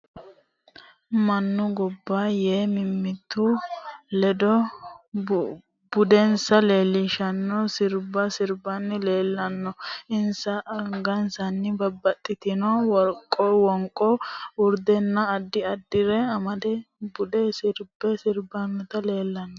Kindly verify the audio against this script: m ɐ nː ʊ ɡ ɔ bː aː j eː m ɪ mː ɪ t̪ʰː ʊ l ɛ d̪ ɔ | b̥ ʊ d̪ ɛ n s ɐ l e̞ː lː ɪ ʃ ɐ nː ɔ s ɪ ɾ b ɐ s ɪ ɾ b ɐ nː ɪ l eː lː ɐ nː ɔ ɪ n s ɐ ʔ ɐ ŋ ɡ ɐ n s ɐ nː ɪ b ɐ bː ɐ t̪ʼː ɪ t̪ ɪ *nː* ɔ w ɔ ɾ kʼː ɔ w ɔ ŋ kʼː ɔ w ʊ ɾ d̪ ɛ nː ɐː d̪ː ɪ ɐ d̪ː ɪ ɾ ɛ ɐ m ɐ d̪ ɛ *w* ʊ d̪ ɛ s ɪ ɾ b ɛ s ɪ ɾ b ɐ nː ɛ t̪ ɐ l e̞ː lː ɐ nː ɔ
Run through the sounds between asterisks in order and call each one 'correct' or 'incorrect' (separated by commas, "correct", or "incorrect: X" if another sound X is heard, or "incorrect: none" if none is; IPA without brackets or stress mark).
incorrect: n, incorrect: b